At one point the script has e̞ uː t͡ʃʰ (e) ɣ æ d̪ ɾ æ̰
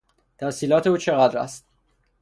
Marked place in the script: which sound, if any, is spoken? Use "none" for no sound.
e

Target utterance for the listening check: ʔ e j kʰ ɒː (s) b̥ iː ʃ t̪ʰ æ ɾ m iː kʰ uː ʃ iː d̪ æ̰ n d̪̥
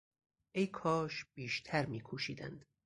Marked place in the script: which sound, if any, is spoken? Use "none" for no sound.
ʃ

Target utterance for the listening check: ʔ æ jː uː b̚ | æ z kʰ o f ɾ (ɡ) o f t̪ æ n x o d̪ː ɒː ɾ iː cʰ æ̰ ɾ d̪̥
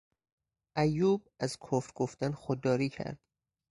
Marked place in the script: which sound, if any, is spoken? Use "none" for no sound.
ɡ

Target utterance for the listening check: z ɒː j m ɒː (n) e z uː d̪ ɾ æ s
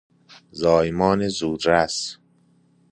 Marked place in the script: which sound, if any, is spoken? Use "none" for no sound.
n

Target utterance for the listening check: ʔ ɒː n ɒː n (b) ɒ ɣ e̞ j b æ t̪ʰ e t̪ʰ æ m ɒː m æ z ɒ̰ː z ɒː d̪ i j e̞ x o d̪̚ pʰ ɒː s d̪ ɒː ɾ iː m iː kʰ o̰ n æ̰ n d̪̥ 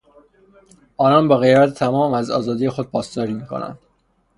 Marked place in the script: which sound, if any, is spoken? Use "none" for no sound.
b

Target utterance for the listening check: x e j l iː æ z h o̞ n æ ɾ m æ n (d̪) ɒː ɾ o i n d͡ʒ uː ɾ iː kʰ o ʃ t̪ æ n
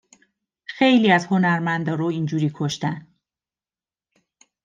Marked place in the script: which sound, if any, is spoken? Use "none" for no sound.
d̪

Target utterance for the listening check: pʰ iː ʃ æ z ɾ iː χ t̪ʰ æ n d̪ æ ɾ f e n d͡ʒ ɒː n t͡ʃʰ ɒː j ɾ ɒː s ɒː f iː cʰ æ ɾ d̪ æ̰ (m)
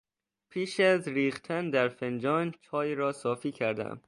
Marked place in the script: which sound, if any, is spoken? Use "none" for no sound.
m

